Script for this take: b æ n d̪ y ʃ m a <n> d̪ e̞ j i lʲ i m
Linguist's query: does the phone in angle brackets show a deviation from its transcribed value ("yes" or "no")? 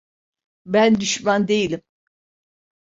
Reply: no